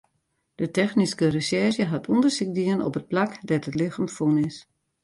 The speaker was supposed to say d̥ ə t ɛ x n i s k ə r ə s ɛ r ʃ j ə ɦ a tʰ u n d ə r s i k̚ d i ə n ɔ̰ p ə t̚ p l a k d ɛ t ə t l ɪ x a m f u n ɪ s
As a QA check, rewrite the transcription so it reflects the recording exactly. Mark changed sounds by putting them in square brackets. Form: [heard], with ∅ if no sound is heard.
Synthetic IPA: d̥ ə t ɛ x n i s k ə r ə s ɛ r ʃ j ə ɦ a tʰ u n d ə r s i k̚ d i ə n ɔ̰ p ə t̚ p l a k d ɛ t ə t l ɪ x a m f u n ɪ s